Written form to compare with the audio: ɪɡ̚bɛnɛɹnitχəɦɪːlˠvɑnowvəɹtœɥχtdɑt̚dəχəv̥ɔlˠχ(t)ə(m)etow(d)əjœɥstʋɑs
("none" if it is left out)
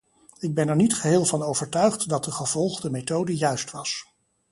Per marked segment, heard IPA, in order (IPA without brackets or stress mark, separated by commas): d, m, d